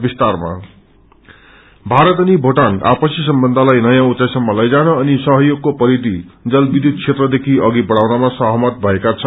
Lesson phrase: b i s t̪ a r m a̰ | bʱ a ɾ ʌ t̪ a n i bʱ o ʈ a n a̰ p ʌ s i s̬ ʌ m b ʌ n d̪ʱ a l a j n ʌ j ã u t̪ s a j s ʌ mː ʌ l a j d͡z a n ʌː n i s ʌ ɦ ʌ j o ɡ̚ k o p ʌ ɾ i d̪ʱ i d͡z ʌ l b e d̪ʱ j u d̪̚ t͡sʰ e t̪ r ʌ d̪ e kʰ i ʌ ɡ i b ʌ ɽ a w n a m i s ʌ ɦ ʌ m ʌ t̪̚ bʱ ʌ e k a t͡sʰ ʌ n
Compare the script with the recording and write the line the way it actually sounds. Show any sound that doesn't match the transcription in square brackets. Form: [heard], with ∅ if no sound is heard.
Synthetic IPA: b i s t̪ a r m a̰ | bʱ a ɾ ʌ t̪ [ʌ] n i bʱ o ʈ a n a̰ p ʌ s i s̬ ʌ m b ʌ n d̪ʱ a l a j n ʌ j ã u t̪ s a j s ʌ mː ʌ l [ʌ] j d͡z a n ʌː n i s ʌ ɦ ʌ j o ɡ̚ k o p ʌ ɾ i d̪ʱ i d͡z ʌ l b [i] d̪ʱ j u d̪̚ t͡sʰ e t̪ r ʌ d̪ e kʰ i ʌ ɡ i b ʌ ɽ a w n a m [a] s ʌ ɦ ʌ m ʌ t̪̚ bʱ ʌ e k a t͡sʰ ʌ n